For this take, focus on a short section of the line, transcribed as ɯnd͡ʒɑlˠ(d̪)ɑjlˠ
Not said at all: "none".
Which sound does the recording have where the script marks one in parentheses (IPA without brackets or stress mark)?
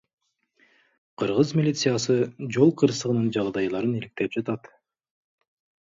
d̪